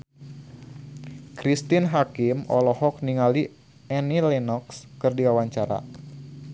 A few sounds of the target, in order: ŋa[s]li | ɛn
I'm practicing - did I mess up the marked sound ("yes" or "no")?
yes